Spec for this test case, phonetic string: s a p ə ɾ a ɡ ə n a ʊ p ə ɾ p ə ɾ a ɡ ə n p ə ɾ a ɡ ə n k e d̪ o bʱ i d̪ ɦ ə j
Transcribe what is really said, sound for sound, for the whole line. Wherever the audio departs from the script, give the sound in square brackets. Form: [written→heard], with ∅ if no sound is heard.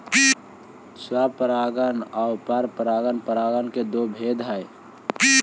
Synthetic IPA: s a p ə ɾ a ɡ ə n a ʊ p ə ɾ p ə ɾ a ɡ ə n p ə ɾ a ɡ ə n k e d̪ o bʱ [i→e] d̪ ɦ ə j